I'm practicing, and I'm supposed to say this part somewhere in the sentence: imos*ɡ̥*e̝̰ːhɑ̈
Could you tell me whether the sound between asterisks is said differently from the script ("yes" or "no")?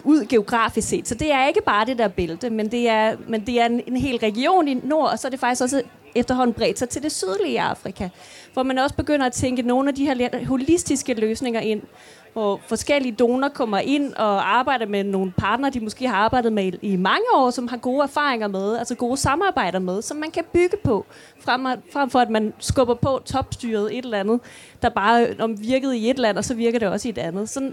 no